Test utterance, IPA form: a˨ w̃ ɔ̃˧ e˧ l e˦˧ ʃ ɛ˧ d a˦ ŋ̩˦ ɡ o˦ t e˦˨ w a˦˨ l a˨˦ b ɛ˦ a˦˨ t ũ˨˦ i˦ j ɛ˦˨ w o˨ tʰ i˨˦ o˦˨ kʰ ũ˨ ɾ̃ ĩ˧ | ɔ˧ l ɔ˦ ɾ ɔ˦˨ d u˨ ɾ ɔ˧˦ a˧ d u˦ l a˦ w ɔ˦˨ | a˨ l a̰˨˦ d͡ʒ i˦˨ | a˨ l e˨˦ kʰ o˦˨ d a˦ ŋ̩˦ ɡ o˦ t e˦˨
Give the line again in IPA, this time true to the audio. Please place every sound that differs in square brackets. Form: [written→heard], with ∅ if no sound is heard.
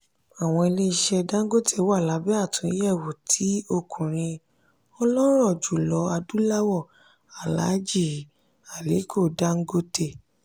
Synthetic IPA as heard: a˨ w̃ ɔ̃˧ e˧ l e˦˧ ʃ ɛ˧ d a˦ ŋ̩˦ ɡ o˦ t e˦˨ w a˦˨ l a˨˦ b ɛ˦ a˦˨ t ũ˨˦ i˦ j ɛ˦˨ w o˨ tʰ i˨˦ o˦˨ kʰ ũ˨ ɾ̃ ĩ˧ | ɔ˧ l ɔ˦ ɾ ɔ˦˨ [d→d͡ʒ] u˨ [ɾ→l] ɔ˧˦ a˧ d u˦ l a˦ w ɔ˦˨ | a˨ l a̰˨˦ d͡ʒ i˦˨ | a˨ l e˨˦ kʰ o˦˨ d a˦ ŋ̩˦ ɡ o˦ t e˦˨